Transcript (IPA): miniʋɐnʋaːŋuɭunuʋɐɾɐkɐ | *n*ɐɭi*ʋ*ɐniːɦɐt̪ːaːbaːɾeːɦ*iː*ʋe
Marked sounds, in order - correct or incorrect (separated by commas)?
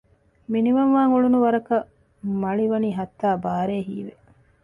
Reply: incorrect, correct, correct